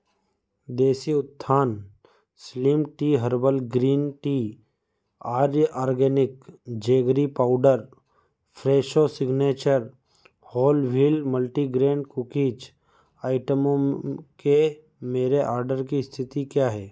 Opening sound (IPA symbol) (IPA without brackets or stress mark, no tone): d̪